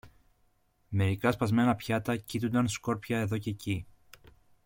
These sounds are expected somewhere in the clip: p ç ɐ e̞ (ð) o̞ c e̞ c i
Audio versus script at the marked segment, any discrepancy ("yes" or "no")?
no